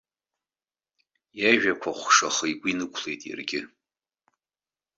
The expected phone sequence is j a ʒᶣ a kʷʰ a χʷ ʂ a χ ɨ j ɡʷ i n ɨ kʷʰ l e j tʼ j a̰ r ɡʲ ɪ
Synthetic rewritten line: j a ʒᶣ a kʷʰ a χʷ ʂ a χ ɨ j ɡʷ i n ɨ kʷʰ l e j tʼ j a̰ r ɡʲ ɪ